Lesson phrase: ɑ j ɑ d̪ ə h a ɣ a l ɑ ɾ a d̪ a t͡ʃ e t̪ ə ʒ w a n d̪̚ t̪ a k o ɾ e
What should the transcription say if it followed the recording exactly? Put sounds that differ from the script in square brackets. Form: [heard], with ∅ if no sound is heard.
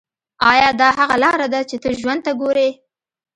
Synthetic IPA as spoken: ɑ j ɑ d̪ [ɑ] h a ɣ a l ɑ ɾ a d̪ a t͡ʃ e t̪ ə ʒ w a n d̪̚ t̪ a [ɡ] o ɾ e